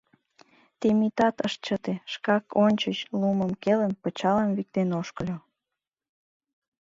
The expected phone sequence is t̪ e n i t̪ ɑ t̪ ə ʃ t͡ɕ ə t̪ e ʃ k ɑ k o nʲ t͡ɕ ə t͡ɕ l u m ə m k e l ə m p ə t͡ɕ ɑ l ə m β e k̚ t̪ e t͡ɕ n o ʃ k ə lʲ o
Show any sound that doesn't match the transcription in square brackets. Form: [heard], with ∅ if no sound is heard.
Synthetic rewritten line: t̪ e [m] i t̪ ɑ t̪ ə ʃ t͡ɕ ə t̪ e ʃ k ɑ k o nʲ t͡ɕ ə t͡ɕ l u m ə m k e l ə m p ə t͡ɕ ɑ l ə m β [i] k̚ t̪ e [∅] n o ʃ k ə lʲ o

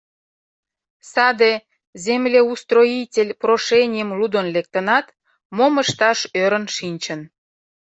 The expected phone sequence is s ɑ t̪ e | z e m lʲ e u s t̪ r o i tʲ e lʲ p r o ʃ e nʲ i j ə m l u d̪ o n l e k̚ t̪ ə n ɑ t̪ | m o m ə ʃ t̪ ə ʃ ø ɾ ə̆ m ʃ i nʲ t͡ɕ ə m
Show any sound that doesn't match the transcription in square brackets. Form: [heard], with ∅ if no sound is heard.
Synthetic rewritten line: s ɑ [d̪] e | z e m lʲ e u s t̪ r o i tʲ e lʲ p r o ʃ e nʲ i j ə m l u d̪ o n l e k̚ t̪ ə n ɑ t̪ | m o m ə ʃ t̪ [ɑ] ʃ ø ɾ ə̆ [n] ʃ i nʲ t͡ɕ ə [n]

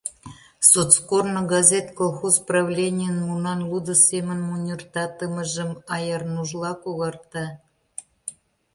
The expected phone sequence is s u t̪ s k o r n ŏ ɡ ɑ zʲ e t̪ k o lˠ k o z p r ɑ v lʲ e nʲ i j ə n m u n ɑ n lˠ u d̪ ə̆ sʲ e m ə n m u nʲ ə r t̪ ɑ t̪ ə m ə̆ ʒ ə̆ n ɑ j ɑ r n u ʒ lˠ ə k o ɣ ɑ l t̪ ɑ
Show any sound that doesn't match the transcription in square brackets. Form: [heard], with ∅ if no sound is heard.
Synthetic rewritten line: s [o] t̪ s k o r n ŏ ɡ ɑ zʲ e t̪ k o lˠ [x] o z p r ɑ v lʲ e nʲ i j ə n m u n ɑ n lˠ u d̪ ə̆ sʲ e m ə n m u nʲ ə r t̪ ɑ t̪ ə m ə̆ ʒ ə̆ [m] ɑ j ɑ r n u ʒ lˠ [ɑ] k o ɣ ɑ [r] t̪ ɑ

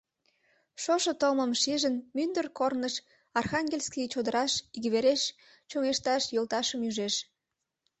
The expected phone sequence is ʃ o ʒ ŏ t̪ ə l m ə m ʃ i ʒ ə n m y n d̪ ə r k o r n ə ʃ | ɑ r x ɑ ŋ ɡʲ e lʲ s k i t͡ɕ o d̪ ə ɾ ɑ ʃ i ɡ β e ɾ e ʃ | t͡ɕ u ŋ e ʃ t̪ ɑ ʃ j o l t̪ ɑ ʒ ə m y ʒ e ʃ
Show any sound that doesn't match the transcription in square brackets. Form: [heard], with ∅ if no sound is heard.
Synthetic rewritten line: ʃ o [ʃ] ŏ t̪ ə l m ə m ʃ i ʒ ə n m y n d̪ ə r k o r n ə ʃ | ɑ r x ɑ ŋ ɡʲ e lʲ s k i t͡ɕ o d̪ ə ɾ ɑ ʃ i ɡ β e ɾ e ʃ | t͡ɕ [o] ŋ e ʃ t̪ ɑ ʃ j o l t̪ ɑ [ʃ] ə m y ʒ e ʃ

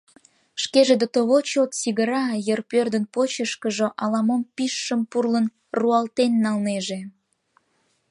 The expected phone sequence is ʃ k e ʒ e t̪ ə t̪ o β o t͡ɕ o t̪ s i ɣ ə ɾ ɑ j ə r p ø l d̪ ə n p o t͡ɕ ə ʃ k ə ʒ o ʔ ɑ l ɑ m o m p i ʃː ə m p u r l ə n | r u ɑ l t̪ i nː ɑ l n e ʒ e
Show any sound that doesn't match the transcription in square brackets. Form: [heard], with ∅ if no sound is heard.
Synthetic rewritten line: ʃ k e ʒ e [d̪] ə t̪ o β o t͡ɕ o t̪ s i ɣ ə ɾ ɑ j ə r p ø [r] d̪ ə n p o t͡ɕ ə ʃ k ə ʒ o ʔ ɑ l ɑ m o m p i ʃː ə m p u r l ə n | r u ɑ l t̪ [e] nː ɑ l n e ʒ e

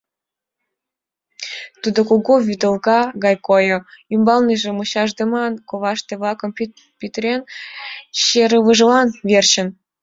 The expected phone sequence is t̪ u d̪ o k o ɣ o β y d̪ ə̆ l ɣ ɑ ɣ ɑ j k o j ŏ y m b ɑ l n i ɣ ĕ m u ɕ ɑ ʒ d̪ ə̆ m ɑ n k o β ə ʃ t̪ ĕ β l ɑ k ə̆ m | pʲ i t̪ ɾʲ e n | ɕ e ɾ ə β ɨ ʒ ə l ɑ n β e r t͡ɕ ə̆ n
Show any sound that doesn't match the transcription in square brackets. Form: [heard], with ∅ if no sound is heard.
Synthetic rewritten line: t̪ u d̪ o k o ɣ o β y d̪ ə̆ l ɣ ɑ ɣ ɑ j k o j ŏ y m b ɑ l n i [ʒ] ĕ m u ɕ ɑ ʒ d̪ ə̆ m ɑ n k o β [ɑ] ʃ t̪ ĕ β l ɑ k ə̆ m | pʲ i t̪ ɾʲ e n | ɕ e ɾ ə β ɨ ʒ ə l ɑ n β e r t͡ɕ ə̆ n

